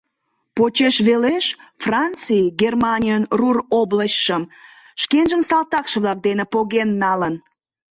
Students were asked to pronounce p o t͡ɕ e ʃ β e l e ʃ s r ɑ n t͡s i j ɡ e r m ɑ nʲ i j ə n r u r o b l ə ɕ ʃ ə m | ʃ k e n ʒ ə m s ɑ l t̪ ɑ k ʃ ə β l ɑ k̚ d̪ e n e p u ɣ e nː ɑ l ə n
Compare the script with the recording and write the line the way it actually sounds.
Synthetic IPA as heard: p o t͡ɕ e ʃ β e l e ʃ f r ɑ n t͡s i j ɡ e r m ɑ nʲ i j ə n r u r o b l ə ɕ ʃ ə m | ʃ k e n ʒ ə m s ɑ l t̪ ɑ k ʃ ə β l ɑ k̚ d̪ e n e p o ɣ e nː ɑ l ə n